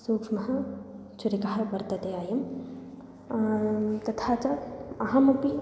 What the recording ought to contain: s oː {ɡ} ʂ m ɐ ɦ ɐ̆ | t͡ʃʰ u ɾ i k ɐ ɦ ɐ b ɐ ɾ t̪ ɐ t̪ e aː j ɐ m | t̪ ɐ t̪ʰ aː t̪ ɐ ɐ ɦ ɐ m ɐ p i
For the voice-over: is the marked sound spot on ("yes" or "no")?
no